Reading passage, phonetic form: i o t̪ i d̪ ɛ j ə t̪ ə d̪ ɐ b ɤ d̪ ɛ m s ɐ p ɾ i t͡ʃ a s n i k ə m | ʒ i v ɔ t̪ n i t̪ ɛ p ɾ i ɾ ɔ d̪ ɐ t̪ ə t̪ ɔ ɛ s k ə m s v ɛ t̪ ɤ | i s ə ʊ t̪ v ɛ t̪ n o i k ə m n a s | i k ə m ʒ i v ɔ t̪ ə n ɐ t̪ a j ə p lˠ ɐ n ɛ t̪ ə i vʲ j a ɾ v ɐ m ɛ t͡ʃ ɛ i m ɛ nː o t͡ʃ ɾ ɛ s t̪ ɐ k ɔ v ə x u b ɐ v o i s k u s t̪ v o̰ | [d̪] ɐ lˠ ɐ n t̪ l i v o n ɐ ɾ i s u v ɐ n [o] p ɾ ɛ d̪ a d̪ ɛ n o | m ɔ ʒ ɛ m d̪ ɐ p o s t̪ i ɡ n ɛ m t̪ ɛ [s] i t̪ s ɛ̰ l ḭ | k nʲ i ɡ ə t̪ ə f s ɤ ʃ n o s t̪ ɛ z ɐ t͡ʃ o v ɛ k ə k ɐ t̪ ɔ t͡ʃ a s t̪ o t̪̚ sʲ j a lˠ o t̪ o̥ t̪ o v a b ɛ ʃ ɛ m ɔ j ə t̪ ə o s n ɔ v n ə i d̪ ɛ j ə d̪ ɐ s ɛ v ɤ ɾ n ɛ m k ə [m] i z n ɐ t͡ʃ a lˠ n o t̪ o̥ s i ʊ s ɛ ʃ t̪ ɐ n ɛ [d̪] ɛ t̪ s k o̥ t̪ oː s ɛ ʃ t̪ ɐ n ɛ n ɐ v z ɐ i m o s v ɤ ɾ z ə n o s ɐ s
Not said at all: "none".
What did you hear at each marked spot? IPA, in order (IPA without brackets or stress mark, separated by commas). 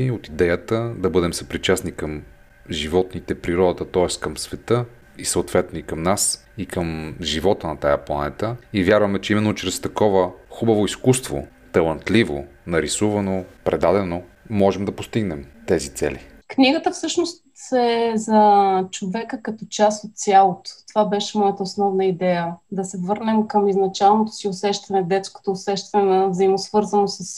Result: t̪, o, z, m, d̪